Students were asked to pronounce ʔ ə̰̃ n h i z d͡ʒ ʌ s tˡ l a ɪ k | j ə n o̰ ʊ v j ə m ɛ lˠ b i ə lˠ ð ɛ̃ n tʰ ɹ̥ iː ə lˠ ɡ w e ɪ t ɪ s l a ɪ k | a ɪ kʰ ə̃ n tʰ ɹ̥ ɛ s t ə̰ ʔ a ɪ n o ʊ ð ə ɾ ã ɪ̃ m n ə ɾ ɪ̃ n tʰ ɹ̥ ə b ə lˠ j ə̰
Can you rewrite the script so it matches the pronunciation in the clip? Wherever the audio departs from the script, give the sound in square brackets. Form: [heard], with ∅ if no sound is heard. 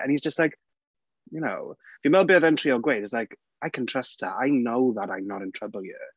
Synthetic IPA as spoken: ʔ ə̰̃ n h i z d͡ʒ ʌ s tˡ l a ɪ k | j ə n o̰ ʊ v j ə m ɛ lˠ b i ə [∅] ð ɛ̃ n tʰ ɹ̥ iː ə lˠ ɡ w e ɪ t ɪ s l a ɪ k | a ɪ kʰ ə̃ n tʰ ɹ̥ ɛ s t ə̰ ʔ a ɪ n o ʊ ð ə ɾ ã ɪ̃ m n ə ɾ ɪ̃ n tʰ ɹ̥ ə b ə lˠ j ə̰